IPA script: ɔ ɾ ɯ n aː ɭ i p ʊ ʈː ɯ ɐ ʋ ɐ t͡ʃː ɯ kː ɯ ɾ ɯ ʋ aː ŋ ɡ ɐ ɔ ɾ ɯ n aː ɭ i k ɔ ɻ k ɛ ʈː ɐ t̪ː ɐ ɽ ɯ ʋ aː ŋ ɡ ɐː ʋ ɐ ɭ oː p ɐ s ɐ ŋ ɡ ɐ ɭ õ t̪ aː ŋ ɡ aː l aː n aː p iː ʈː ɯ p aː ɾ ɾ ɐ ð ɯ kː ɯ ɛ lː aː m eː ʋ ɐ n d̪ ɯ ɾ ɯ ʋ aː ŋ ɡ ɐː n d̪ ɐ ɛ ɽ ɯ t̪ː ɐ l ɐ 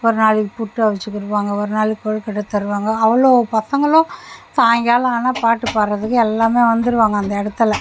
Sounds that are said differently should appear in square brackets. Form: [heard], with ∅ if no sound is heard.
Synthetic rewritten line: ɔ ɾ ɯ n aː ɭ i p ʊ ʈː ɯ ɐ ʋ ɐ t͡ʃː ɯ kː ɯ ɾ ɯ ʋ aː ŋ ɡ ɐ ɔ ɾ ɯ n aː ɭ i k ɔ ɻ k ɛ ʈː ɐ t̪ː ɐ [ɾ] ɯ ʋ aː ŋ ɡ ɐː ʋ ɐ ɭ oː p ɐ s ɐ ŋ ɡ ɐ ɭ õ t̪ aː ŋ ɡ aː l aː n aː p [aː] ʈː ɯ p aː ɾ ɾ ɐ ð ɯ kː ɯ ɛ lː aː m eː ʋ ɐ n d̪ ɯ ɾ ɯ ʋ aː ŋ ɡ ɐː n d̪ ɐ ɛ ɽ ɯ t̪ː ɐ l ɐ